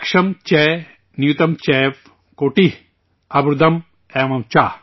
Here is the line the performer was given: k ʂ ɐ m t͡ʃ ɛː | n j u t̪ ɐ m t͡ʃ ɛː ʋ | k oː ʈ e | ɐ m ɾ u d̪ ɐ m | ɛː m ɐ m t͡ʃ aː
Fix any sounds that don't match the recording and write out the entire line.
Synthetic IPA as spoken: k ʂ ɐ m t͡ʃ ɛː | n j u t̪ ɐ m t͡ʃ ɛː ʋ | k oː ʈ i | ɐ b ɾ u d̪ ɐ m | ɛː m ɐ m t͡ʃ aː